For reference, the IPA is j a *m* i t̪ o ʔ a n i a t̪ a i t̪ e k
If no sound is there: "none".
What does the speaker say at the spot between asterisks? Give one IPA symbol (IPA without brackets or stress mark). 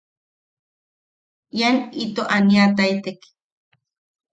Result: n